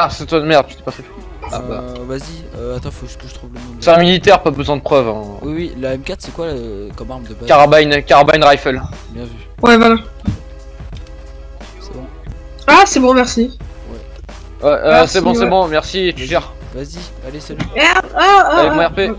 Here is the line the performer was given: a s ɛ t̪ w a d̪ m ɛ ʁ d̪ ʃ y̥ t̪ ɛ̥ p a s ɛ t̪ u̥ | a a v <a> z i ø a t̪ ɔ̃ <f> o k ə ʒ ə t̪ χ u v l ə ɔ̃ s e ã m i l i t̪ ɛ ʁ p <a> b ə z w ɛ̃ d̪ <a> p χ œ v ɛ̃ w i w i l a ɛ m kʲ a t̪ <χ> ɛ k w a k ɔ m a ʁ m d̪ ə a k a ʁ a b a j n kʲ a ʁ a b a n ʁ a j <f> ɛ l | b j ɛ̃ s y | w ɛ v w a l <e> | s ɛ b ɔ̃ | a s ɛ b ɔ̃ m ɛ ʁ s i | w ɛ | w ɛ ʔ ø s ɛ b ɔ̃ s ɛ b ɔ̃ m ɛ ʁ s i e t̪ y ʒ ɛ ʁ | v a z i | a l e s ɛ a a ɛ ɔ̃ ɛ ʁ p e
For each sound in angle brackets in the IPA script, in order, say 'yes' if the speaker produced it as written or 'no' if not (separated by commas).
yes, yes, yes, no, no, yes, no